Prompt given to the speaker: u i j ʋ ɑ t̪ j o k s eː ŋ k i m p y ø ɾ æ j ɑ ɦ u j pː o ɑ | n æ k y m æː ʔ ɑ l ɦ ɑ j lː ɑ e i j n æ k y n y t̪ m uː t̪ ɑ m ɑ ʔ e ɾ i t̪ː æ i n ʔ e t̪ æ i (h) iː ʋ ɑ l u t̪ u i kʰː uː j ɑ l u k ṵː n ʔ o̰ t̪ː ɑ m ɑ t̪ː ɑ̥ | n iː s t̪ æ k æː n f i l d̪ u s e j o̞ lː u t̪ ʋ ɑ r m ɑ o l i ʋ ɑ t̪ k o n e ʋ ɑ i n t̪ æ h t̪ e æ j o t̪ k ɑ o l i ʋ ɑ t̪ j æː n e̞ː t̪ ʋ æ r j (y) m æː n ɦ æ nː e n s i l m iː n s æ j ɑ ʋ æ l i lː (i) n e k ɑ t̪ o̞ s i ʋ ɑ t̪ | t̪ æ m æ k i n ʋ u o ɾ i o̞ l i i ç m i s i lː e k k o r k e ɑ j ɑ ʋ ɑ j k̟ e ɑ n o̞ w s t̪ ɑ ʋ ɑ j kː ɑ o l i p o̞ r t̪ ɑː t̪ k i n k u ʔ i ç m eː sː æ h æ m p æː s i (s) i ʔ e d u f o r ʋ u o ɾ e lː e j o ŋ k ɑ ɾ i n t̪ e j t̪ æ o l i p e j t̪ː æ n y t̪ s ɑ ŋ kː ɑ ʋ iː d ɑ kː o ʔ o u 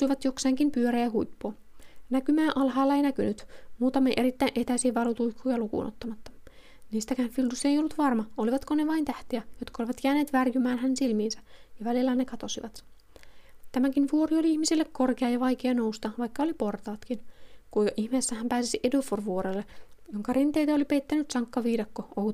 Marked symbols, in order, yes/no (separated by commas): no, yes, no, yes